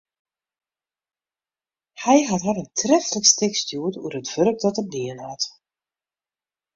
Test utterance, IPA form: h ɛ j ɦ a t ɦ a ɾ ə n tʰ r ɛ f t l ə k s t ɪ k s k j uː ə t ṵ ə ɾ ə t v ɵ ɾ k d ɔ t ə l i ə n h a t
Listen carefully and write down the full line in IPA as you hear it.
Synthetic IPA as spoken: h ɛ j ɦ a t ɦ a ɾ ə n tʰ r ɛ f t l ə k s t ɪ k s t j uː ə t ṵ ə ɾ ə t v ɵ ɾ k d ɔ t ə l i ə n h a t